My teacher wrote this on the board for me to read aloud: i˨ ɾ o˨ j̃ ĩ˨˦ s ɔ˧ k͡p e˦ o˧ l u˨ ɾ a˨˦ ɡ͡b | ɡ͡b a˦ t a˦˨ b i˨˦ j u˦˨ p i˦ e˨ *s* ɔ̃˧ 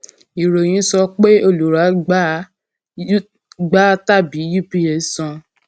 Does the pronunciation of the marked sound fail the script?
no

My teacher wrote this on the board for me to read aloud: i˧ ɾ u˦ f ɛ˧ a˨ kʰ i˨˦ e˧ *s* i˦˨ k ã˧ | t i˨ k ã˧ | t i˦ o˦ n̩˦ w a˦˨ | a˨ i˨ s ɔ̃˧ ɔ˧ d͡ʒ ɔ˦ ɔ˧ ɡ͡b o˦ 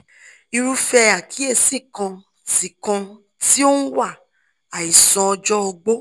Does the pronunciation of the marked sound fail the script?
no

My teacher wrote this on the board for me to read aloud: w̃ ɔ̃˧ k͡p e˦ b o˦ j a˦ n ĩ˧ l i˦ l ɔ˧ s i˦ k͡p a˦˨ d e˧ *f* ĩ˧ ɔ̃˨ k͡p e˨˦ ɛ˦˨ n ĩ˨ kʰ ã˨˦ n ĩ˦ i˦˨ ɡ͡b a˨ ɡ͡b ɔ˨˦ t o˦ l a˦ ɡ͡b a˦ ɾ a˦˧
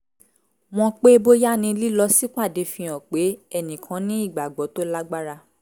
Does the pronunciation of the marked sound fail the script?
no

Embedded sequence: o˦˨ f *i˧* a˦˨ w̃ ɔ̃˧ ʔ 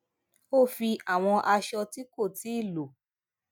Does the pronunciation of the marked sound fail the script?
no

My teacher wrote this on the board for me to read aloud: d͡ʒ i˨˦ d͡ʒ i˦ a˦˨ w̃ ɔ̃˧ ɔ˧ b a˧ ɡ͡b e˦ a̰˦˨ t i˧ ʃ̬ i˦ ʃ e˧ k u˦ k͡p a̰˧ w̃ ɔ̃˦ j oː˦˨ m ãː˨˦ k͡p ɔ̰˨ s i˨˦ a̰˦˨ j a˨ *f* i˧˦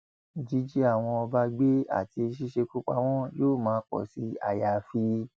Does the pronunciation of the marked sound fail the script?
no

